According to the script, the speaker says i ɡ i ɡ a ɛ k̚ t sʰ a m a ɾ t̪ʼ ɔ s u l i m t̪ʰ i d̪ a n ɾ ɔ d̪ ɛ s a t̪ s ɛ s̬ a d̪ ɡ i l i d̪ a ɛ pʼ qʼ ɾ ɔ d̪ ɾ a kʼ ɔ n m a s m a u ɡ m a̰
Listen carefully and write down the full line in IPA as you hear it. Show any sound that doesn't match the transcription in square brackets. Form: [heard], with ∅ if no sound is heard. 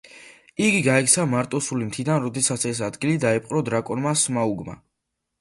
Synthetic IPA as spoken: i ɡ i ɡ a ɛ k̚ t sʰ a m a ɾ t̪ʼ ɔ s u l i m t̪ʰ i d̪ a n ɾ ɔ d̪ ɛ s a t̪ s ɛ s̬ a d̪ ɡ i l i d̪ a ɛ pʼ qʼ ɾ ɔ d̪ ɾ a kʼ ɔ n m a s m a u ɡ m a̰